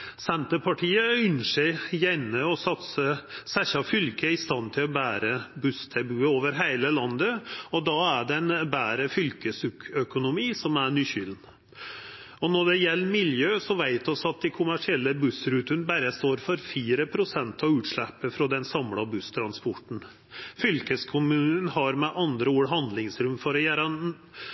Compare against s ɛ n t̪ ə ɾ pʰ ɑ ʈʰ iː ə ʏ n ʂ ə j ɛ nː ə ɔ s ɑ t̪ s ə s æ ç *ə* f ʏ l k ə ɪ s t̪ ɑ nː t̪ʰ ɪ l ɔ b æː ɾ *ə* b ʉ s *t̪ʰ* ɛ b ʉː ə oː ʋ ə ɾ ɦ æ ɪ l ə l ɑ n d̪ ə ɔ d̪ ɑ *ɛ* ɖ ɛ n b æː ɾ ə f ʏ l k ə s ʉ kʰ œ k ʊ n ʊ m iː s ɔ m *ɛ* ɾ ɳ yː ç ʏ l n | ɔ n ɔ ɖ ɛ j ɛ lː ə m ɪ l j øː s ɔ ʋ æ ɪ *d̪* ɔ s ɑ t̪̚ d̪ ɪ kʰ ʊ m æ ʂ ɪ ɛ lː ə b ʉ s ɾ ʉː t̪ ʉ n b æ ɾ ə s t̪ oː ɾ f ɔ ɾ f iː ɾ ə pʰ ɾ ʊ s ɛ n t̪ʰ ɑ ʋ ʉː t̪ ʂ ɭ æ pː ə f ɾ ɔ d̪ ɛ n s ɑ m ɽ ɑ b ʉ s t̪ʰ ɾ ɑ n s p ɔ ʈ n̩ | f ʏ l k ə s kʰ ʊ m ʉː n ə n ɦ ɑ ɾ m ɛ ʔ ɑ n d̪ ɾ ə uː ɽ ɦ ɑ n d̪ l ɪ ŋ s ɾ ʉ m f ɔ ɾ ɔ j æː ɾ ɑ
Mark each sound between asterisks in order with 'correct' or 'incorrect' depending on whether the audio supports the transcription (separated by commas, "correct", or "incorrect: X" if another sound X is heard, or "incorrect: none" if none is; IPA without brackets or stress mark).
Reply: incorrect: ɑ, correct, correct, incorrect: æ, incorrect: æ, incorrect: t̪